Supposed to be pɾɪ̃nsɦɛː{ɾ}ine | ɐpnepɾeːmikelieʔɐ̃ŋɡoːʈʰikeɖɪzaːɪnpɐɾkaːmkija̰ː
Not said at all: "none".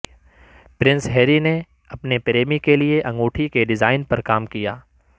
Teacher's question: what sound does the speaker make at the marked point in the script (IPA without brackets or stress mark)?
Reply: ɾ